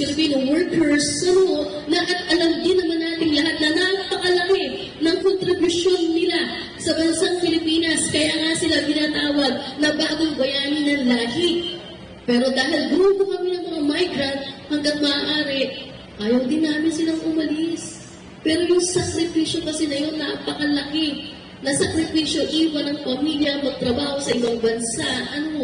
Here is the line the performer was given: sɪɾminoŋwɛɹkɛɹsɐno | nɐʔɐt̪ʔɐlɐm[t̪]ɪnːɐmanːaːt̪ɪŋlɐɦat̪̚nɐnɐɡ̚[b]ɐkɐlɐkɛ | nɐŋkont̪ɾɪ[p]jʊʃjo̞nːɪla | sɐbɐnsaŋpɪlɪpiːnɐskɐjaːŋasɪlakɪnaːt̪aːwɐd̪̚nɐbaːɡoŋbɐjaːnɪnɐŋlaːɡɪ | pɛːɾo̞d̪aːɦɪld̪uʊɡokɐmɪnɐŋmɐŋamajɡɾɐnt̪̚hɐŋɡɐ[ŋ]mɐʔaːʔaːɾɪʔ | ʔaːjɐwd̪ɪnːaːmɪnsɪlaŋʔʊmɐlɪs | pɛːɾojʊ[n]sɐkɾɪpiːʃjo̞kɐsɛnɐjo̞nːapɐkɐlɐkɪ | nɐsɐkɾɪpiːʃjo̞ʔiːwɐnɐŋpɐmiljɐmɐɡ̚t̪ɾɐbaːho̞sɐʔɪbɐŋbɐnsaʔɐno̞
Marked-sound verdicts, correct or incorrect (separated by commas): incorrect, incorrect, incorrect, correct, incorrect